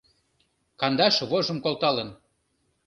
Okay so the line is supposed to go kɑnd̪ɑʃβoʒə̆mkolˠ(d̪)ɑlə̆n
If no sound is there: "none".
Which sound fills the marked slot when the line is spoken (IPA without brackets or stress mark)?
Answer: t̪